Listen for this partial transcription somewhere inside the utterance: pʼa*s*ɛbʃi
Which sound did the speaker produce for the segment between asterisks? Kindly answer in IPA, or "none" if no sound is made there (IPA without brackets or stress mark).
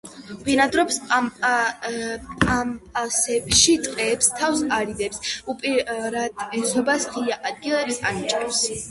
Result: s